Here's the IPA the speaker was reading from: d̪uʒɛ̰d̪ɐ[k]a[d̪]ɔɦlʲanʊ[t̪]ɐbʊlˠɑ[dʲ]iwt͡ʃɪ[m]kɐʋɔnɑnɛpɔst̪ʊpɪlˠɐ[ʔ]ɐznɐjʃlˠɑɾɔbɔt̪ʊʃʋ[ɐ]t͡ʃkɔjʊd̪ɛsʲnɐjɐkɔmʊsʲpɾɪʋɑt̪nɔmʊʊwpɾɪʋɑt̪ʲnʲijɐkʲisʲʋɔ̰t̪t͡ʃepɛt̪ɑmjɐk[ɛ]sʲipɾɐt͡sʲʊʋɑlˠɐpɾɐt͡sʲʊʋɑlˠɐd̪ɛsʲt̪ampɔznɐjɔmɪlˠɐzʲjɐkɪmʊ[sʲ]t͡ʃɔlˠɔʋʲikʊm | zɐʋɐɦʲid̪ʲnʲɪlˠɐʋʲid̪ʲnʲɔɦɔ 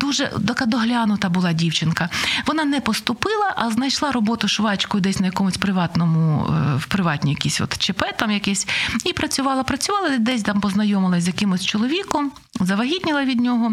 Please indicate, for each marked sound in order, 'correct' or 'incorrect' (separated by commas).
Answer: correct, correct, correct, correct, incorrect, correct, incorrect, correct, correct